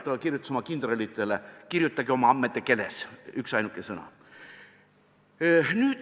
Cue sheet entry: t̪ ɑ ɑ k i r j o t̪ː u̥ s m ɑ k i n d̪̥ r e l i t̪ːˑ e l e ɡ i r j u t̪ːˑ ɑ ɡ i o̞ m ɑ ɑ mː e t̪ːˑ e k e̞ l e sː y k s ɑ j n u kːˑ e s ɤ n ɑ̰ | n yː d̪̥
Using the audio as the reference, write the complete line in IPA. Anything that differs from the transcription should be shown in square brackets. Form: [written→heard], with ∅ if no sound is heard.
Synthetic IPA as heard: t̪ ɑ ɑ k i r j [o→u] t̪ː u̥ s m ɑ k i n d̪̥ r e l i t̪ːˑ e l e [ɡ→k] i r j u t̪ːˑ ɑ ɡ i o̞ m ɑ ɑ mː e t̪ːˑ e k e̞ l e [sː→s] y k s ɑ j n u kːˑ e s ɤ n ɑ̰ | n yː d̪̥